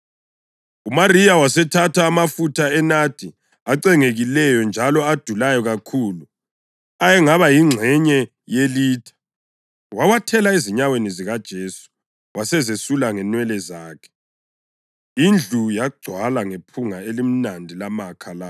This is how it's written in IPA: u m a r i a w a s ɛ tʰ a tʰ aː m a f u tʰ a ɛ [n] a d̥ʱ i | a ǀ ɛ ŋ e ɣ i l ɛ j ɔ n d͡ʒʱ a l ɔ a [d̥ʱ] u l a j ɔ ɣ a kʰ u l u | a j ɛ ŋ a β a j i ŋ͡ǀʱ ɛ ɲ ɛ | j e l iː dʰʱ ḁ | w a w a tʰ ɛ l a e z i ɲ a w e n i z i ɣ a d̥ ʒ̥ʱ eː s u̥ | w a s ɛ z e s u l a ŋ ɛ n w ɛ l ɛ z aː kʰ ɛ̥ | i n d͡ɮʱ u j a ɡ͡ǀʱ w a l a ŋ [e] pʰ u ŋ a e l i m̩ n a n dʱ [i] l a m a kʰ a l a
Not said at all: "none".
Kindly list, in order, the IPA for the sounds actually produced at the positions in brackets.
n, d̥ʱ, e, i

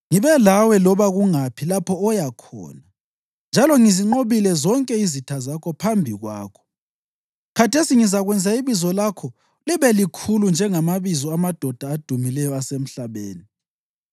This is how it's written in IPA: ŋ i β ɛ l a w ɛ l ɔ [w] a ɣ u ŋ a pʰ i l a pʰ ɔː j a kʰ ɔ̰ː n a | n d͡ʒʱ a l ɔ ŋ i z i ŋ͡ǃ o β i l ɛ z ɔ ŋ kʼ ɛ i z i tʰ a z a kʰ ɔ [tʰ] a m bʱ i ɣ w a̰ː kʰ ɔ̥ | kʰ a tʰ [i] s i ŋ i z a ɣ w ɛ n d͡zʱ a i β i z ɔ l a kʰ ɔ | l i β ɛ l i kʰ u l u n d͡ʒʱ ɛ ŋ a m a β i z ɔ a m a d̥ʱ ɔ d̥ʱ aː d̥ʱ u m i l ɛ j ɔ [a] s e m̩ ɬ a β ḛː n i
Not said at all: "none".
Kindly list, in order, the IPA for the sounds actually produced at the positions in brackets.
β, pʰ, e, a

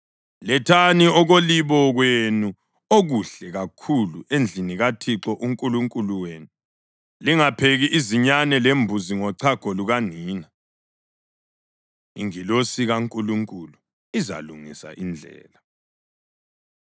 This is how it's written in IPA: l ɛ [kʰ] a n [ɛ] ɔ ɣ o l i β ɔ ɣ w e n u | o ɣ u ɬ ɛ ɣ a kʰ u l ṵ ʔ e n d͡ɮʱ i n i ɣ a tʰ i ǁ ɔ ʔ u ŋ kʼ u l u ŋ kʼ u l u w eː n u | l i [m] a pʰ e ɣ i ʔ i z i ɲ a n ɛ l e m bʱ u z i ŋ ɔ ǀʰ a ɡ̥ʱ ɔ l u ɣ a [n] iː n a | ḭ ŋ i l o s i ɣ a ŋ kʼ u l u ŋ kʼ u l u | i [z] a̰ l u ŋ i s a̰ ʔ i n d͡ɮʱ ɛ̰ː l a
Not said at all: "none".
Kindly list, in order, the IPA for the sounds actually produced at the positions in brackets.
tʰ, i, ŋ, n, z

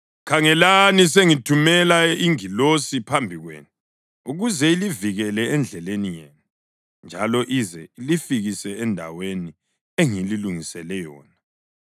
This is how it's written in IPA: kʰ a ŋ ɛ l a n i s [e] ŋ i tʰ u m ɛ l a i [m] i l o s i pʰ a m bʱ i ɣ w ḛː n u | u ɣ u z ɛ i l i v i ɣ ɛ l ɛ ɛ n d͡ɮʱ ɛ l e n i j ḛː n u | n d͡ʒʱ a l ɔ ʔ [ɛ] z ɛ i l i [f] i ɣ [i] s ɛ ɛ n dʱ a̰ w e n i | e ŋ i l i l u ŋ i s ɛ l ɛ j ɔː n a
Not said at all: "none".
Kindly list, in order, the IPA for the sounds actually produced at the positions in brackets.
e, ŋ, i, f, i

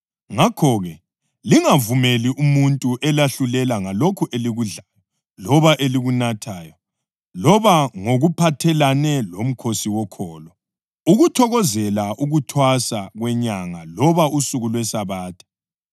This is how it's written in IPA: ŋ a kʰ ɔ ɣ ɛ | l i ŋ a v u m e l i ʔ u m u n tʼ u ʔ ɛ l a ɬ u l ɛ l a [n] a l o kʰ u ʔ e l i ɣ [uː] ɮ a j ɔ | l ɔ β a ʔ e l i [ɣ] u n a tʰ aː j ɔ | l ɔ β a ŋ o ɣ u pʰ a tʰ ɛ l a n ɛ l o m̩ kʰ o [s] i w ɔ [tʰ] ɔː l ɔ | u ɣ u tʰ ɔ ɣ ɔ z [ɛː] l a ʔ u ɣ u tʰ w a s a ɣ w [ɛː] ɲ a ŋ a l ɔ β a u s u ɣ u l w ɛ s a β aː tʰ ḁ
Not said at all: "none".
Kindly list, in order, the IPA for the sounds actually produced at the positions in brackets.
ŋ, u, ɣ, s, kʰ, ɛ, ɛ

